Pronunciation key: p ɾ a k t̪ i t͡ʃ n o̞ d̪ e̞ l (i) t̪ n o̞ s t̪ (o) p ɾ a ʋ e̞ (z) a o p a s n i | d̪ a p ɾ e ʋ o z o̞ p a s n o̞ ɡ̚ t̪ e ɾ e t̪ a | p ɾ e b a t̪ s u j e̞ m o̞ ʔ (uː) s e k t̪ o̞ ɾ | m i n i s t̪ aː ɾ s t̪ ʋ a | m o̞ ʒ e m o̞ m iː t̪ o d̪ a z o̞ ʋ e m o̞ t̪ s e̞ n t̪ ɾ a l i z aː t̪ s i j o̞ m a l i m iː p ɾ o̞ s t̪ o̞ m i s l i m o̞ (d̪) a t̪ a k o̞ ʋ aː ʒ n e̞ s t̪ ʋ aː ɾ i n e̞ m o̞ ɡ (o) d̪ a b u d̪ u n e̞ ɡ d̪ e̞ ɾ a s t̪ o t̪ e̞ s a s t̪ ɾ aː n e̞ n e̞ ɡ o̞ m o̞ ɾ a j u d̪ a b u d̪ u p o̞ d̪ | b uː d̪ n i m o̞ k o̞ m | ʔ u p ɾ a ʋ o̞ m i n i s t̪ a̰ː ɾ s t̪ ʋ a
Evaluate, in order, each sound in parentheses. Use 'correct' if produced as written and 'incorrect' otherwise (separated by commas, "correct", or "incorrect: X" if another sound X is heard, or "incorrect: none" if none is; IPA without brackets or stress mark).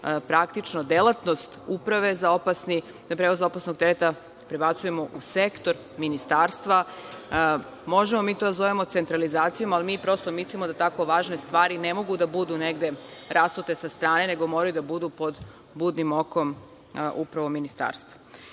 incorrect: a, incorrect: u, correct, incorrect: u, correct, incorrect: u